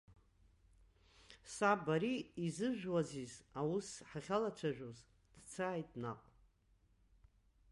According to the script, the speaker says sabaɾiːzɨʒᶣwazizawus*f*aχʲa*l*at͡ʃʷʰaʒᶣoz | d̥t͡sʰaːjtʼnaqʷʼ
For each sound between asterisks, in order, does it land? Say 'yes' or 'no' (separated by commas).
no, yes